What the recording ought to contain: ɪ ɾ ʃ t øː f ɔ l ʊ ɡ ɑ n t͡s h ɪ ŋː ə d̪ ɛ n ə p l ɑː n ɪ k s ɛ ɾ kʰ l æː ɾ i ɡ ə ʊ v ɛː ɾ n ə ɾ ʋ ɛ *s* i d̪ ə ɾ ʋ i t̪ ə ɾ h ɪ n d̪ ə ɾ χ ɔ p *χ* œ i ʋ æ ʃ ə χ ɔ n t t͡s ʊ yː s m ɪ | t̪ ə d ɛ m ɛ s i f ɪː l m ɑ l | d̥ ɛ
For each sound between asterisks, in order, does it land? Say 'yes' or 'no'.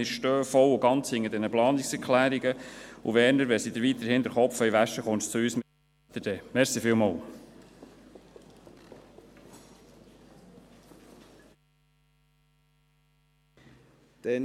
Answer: yes, no

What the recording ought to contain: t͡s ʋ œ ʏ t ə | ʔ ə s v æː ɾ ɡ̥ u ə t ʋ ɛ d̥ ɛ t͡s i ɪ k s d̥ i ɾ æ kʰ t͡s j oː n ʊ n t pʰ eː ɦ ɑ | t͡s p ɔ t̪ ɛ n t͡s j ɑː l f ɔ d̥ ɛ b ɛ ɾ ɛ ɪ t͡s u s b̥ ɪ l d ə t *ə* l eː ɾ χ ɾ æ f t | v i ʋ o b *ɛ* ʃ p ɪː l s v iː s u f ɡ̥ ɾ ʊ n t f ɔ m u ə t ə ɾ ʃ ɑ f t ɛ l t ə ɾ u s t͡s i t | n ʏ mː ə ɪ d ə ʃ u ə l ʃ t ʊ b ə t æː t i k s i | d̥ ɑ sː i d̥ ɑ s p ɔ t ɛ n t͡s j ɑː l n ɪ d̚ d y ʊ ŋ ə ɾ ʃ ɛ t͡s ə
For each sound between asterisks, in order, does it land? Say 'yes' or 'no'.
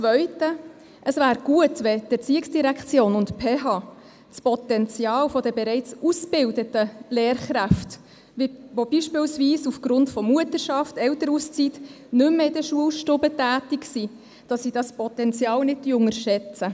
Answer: yes, no

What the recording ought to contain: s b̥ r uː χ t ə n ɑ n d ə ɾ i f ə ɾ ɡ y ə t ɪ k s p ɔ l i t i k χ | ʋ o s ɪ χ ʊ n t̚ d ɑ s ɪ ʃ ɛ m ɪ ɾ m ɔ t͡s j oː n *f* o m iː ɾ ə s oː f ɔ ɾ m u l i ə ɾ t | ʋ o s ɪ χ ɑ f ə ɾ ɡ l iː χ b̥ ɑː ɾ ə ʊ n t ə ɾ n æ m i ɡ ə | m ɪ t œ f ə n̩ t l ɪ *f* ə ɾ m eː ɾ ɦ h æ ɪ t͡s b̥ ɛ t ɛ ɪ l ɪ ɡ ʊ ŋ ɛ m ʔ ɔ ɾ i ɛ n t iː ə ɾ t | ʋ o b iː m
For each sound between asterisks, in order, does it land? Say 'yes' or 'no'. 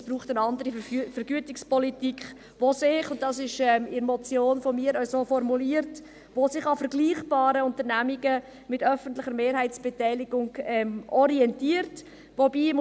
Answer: yes, no

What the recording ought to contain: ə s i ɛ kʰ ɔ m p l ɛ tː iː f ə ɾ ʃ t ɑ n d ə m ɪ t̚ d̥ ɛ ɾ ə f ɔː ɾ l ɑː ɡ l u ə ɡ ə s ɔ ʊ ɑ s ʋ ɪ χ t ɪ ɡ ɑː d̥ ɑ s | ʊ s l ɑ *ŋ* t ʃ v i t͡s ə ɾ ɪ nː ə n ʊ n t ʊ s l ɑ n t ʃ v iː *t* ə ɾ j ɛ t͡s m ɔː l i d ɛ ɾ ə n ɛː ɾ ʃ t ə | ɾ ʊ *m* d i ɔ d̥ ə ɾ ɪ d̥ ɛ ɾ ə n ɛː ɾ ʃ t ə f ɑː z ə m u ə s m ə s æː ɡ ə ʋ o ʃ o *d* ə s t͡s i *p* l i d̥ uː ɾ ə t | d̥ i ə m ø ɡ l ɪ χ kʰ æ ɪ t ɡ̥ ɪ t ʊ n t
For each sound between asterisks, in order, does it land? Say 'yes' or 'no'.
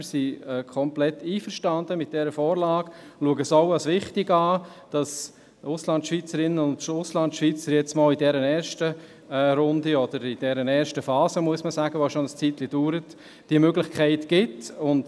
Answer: no, no, no, no, no

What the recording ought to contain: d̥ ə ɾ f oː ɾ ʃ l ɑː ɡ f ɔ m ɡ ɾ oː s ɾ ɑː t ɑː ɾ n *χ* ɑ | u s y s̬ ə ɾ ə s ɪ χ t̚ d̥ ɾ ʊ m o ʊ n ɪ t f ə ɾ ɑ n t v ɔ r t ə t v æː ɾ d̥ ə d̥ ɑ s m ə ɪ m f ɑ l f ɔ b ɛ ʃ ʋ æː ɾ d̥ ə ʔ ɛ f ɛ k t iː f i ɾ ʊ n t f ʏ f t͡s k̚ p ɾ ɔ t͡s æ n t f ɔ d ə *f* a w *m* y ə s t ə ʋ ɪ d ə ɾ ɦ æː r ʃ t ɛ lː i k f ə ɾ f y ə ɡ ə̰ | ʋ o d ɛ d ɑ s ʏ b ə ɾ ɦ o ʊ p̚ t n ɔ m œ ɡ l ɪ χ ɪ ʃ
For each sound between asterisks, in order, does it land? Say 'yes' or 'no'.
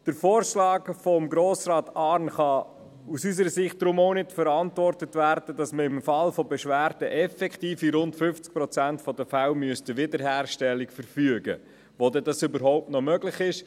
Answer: yes, yes, yes

